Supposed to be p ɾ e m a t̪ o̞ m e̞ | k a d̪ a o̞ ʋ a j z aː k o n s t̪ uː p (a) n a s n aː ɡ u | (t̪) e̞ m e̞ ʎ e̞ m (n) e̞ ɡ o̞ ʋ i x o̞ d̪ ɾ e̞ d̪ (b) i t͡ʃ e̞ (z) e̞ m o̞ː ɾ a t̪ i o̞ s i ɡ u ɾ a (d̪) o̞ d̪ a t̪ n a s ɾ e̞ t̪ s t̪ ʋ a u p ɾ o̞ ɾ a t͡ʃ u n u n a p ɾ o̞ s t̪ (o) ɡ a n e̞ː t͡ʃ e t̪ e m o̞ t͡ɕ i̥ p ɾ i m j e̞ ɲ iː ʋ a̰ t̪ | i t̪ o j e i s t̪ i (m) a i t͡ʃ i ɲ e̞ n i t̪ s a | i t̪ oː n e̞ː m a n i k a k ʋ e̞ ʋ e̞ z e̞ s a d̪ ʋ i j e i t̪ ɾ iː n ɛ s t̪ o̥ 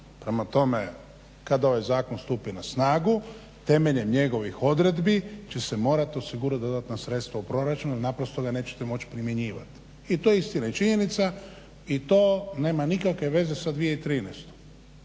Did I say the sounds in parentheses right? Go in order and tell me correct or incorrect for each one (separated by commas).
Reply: incorrect, correct, incorrect, correct, incorrect, correct, correct, incorrect